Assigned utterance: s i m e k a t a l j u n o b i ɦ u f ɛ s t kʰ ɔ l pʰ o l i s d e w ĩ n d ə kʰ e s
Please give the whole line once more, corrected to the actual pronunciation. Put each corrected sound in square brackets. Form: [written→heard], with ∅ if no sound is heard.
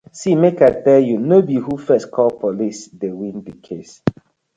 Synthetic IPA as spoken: s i m e k a t [a→ɛ] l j u n o b i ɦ u f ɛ s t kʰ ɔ l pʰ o l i s d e w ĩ n d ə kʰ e s